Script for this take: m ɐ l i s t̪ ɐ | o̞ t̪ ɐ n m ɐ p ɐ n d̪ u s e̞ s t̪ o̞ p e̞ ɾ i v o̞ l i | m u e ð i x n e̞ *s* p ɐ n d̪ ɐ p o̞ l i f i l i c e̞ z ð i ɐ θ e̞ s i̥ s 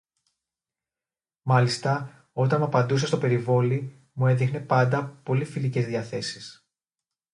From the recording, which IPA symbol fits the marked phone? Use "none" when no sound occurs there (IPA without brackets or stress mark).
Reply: none